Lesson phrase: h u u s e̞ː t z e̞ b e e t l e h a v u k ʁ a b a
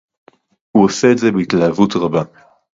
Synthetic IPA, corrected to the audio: h u o s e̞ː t z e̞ b e i t l a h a v u t ʁ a b a